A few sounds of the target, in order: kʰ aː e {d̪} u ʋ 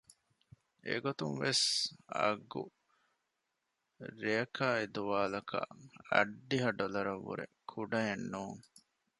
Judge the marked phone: correct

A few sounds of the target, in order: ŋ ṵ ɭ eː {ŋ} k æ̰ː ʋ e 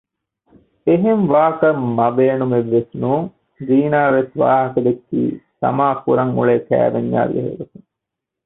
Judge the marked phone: incorrect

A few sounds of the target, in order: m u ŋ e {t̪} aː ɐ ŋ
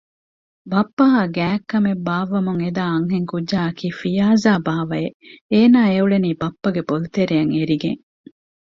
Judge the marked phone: incorrect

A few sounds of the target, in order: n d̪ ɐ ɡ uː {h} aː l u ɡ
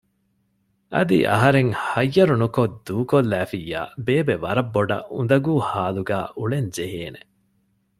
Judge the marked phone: correct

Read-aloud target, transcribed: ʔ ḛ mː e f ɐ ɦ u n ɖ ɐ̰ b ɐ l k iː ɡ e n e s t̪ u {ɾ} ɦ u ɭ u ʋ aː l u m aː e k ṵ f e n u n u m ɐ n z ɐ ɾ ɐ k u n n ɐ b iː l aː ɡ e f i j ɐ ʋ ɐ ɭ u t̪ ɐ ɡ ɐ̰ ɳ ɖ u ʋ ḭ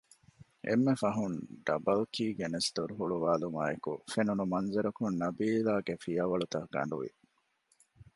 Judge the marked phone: correct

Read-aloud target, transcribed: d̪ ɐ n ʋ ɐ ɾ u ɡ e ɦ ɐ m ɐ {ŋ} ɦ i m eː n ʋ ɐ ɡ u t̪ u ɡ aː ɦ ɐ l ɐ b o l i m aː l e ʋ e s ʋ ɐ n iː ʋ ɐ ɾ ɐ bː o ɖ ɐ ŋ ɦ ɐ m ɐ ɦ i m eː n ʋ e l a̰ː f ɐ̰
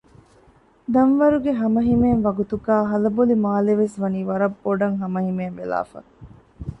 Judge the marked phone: incorrect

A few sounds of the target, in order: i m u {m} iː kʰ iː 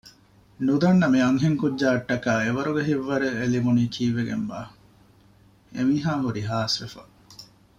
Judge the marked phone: incorrect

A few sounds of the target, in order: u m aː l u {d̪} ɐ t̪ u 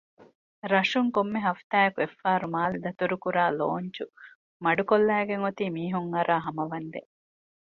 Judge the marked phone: correct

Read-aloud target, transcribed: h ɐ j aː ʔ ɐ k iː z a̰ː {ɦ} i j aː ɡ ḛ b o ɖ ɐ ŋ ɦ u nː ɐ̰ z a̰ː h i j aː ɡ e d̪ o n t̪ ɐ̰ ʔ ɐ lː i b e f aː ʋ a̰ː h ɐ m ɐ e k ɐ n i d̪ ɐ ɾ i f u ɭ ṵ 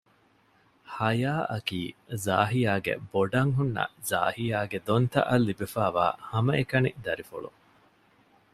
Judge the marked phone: correct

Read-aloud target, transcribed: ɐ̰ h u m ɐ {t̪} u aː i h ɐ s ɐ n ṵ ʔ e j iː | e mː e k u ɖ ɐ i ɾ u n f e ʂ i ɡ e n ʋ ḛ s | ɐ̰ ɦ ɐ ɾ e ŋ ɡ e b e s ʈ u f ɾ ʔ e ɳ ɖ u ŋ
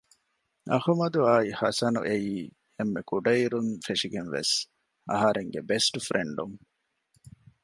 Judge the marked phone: incorrect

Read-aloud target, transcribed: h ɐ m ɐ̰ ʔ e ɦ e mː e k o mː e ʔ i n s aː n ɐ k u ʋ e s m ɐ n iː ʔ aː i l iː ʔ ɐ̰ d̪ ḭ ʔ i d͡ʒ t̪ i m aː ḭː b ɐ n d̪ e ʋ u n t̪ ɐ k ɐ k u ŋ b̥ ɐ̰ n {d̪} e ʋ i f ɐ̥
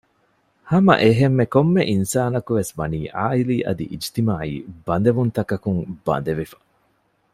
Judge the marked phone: correct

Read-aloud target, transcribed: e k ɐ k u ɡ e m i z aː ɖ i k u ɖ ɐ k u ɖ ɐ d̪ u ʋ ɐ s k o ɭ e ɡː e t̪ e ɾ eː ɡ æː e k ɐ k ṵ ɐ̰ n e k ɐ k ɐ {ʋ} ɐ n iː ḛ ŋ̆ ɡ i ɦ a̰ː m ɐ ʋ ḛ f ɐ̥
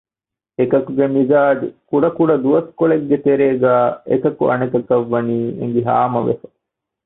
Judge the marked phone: incorrect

